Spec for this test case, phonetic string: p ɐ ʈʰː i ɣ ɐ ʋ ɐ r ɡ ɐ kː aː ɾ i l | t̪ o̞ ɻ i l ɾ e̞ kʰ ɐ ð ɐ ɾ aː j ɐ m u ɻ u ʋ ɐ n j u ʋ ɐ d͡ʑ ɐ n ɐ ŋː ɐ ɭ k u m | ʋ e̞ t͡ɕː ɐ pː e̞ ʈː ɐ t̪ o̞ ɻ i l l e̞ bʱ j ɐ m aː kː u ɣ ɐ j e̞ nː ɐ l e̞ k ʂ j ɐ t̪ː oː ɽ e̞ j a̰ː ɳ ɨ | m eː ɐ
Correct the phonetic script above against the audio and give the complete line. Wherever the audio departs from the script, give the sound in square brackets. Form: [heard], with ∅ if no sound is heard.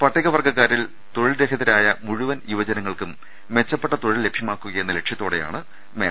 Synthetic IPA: p ɐ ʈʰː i ɣ ɐ ʋ ɐ r ɡ ɐ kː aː ɾ i l | t̪ o̞ ɻ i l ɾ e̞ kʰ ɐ ð ɐ ɾ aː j ɐ m u ɻ u ʋ ɐ n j u ʋ ɐ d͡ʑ ɐ n ɐ ŋː ɐ ɭ k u m | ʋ e̞ t͡ɕː ɐ pː e̞ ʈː ɐ t̪ o̞ ɻ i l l e̞ bʱ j ɐ m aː kː u ɣ ɐ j e̞ nː ɐ l e̞ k ʂ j ɐ t̪ː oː ɽ e̞ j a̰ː ɳ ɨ | m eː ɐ